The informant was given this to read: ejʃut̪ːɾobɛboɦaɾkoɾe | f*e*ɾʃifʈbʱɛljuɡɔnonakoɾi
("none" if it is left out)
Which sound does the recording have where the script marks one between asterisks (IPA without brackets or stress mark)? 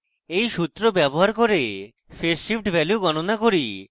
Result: e